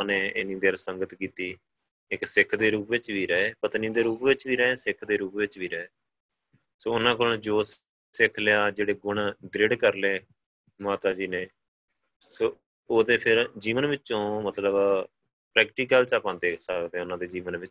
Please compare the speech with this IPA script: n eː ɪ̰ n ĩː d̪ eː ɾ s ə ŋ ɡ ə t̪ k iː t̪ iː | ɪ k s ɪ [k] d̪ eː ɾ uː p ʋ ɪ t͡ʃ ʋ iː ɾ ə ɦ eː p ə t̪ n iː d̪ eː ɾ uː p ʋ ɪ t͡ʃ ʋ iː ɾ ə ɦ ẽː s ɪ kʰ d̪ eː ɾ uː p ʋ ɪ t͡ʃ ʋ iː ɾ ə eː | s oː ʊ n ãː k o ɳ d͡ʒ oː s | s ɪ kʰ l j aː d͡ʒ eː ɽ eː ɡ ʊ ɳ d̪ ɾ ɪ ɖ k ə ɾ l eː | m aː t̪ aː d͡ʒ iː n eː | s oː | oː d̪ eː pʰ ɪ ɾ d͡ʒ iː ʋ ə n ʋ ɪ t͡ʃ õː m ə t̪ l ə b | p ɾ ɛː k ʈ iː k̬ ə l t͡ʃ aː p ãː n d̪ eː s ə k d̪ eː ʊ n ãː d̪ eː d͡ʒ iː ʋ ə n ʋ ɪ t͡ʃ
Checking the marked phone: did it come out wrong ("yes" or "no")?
yes